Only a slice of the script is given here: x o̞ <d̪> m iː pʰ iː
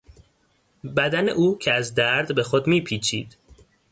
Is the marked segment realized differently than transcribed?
no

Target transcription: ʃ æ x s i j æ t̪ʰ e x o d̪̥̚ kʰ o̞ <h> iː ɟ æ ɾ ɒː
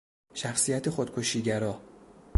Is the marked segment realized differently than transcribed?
yes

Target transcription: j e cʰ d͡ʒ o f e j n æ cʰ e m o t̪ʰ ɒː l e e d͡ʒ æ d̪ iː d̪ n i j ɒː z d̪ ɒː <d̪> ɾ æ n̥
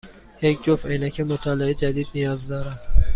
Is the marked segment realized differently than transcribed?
yes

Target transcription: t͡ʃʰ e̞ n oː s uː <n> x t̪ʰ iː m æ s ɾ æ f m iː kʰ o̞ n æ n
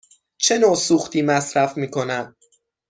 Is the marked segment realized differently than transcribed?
yes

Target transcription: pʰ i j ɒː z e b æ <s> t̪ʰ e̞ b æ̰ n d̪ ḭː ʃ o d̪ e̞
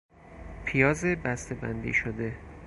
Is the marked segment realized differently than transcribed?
no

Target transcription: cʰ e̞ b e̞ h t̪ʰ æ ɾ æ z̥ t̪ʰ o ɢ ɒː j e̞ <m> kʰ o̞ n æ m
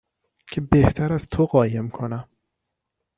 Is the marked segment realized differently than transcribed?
no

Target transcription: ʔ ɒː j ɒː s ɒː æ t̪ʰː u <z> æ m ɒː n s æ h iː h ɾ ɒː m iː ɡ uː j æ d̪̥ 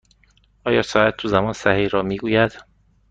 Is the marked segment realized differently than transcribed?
no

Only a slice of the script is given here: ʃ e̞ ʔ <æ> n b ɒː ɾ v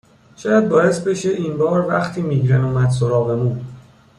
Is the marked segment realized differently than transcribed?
yes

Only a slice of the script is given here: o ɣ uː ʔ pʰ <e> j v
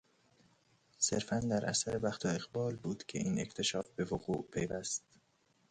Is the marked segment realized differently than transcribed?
no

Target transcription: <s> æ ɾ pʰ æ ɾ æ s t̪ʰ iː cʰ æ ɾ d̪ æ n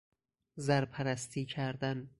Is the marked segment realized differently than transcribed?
yes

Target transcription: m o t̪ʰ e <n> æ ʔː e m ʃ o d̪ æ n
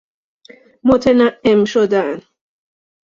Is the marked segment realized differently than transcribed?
no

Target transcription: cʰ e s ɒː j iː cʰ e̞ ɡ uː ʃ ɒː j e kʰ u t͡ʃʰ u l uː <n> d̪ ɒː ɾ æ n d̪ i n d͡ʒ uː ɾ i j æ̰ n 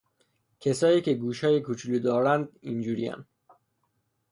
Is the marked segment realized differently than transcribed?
yes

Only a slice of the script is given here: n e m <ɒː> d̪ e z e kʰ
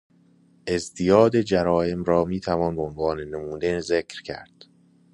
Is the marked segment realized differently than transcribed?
yes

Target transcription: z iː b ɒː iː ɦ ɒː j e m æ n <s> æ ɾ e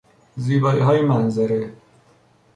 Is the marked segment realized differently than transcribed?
yes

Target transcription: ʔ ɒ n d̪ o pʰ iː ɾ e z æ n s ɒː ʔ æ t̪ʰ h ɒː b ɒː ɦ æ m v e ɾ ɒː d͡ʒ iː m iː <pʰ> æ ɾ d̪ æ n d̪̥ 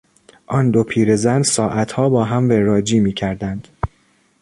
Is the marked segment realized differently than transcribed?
yes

